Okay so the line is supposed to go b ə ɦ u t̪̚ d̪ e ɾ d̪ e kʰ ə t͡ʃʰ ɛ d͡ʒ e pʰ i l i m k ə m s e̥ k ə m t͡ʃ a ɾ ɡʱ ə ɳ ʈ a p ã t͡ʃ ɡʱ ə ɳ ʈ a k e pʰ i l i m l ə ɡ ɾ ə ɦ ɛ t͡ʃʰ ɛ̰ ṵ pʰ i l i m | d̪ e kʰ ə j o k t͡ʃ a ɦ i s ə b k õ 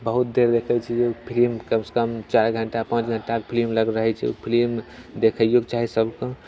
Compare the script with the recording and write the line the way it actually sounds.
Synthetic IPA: b ə ɦ u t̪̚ d̪ e ɾ d̪ e kʰ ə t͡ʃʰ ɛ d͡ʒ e pʰ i l i m k ə m s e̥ k ə m t͡ʃ a ɾ ɡʱ ə ɳ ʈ a p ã t͡ʃ ɡʱ ə ɳ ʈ a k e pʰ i l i m l ə ɡ ɾ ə ɦ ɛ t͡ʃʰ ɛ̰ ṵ pʰ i l i m | d̪ e kʰ ə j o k t͡ʃ a ɦ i s ə b k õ

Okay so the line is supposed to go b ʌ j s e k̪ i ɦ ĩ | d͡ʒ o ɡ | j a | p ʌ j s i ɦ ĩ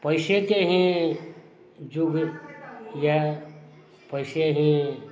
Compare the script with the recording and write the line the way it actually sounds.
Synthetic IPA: p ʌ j s e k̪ e ɦ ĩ | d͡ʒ u ɡ | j a | p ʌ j s e ɦ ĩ

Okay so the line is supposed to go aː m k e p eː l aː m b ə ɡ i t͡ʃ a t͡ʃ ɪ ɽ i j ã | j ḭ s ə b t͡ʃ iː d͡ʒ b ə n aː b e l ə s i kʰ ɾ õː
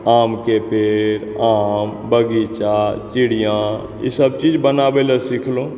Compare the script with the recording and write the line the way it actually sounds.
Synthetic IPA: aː m k e p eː ɾ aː m b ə ɡ i t͡ʃ a t͡ʃ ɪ ɽ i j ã | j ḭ s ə b t͡ʃ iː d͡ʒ b ə n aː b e l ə s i kʰ l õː

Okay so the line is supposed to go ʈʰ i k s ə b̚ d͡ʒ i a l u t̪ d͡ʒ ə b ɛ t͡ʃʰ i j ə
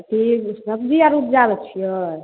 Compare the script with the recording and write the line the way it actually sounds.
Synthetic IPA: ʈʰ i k s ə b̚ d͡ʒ i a ɾ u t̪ d͡ʒ a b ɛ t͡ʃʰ i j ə

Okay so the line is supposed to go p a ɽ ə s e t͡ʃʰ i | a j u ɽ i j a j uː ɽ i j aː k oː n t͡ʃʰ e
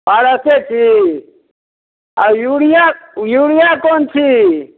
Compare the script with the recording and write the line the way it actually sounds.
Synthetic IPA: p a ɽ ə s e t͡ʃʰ i | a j u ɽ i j a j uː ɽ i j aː k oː n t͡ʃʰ i

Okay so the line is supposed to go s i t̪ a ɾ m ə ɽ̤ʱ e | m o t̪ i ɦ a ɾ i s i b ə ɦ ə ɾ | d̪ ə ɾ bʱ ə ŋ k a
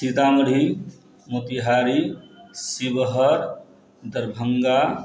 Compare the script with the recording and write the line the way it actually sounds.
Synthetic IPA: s i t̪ a m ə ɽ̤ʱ i | m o t̪ i ɦ a ɾ i s i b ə ɦ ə ɾ | d̪ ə ɾ bʱ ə ŋ ɡ a

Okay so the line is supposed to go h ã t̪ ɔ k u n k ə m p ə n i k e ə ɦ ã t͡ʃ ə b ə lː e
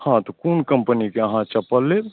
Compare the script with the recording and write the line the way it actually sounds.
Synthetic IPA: h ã t̪ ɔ k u n k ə m p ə n i k e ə ɦ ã t͡ʃ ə p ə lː e

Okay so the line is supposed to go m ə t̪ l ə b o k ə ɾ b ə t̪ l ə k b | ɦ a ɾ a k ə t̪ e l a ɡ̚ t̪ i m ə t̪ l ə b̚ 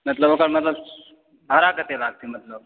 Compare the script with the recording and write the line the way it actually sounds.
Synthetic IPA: m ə t̪ l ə b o k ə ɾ m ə t̪ l ə b | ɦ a ɾ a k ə t̪ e l a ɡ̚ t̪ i m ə t̪ l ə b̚

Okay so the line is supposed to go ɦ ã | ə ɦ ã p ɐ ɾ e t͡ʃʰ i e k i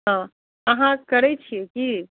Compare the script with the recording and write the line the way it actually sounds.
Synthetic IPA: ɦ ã | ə ɦ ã k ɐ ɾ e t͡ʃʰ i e k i

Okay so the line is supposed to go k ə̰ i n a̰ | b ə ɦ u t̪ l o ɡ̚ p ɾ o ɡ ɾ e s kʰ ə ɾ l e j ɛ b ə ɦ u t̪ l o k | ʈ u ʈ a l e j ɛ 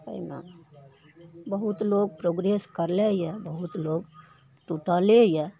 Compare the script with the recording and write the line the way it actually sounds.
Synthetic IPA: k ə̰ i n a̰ | b ə ɦ u t̪ l o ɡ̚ p ɾ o ɡ ɾ e s k ə ɾ l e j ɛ b ə ɦ u t̪ l o ɡ | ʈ u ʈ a l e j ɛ

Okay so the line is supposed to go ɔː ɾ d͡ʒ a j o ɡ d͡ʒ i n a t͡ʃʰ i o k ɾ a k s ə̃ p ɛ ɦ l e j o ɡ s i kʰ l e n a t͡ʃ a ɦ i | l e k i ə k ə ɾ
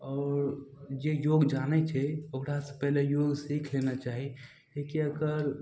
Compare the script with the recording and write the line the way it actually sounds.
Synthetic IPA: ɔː ɾ d͡ʒ e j o ɡ d͡ʒ a n ɛ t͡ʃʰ ɛ o k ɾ a s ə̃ p ɛ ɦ l e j o ɡ s i kʰ l e n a t͡ʃ a ɦ i | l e k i ə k ə ɾ

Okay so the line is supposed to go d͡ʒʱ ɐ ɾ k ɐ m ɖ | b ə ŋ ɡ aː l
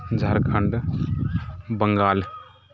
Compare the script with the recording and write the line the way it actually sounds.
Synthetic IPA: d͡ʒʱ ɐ ɾ kʰ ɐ ɳ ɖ | b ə ŋ ɡ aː l

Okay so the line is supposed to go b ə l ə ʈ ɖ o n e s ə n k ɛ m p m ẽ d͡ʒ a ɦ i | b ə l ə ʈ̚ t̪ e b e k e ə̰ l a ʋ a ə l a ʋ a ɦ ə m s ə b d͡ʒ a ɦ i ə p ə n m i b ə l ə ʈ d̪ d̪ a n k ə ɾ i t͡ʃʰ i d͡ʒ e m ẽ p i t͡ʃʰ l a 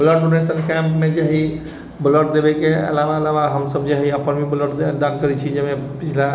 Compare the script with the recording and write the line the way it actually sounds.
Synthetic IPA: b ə l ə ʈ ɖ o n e s ə n k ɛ m p m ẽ d͡ʒ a ɦ i | b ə l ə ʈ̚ d̪ e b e k e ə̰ l a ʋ a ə l a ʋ a ɦ ə m s ə b d͡ʒ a ɦ i ə p ə n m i b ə l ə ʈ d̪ d̪ a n k ə ɾ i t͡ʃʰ i d͡ʒ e m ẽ p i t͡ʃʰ l a

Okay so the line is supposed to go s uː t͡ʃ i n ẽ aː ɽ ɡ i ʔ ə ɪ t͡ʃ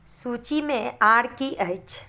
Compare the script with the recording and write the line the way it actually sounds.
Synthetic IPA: s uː t͡ʃ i m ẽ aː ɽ k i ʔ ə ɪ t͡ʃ

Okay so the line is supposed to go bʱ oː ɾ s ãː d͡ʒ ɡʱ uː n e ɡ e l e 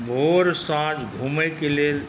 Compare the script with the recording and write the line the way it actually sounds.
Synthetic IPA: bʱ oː ɾ s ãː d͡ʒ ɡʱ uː m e k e l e

